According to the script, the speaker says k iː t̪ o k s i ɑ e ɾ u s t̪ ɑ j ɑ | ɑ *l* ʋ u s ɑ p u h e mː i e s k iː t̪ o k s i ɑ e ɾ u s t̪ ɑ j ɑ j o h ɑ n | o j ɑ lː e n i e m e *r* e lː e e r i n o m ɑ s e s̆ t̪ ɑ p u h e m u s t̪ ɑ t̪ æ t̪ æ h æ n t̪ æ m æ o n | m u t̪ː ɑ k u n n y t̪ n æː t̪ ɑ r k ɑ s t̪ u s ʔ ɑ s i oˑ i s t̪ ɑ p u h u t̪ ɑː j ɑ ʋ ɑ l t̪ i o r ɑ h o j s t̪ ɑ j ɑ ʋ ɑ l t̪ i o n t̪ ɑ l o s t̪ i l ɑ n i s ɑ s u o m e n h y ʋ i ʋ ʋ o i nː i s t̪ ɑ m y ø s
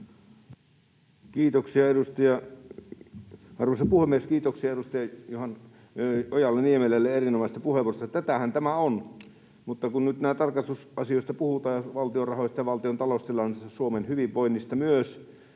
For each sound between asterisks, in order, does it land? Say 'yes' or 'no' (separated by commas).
no, no